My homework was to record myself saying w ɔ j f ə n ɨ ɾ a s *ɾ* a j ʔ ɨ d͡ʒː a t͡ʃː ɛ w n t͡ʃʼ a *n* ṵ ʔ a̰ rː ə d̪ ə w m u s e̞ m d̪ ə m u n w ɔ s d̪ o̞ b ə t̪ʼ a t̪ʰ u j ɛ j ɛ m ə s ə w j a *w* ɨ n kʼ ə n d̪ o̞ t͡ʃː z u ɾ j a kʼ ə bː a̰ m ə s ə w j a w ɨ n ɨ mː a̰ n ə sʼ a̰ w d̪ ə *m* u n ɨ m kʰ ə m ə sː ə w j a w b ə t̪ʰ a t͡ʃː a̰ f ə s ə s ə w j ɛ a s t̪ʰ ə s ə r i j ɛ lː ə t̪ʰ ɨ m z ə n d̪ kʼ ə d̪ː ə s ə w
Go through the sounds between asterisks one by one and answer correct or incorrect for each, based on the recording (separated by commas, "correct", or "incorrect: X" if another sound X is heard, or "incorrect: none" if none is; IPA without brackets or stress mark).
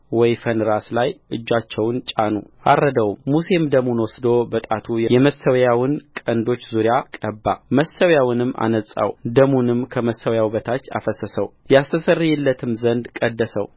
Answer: incorrect: l, correct, correct, correct